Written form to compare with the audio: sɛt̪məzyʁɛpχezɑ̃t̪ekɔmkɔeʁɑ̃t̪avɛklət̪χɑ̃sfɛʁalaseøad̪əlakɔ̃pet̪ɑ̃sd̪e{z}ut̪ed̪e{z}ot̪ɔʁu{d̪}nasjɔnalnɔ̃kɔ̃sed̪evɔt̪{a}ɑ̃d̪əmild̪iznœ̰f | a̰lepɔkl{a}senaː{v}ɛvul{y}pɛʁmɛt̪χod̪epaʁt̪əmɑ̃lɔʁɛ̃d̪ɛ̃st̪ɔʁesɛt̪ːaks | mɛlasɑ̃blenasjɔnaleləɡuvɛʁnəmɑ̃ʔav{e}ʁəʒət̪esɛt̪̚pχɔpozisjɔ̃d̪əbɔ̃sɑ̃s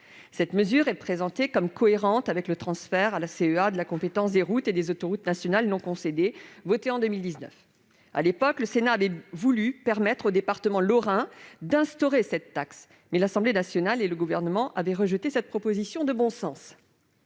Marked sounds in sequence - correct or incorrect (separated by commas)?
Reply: incorrect, correct, incorrect, incorrect, incorrect, correct, correct, incorrect